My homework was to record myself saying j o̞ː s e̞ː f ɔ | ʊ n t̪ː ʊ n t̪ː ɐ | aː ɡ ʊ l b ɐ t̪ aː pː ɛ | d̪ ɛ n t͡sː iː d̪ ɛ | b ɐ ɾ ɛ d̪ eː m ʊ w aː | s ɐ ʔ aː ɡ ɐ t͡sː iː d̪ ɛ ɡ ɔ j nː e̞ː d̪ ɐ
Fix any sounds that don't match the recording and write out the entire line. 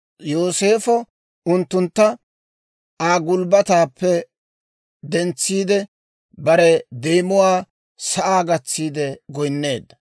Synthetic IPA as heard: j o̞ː s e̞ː f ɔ | ʊ n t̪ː ʊ n t̪ː ɐ | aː ɡ ʊ l b ɐ t̪ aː pː ɛ | d̪ ɛ n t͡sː iː d̪ ɛ | b ɐ ɾ ɛ d̪ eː m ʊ w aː | s ɐ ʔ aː ɡ ɐ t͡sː iː d̪ ɛ ɡ ɔ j nː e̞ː d̪ ɐ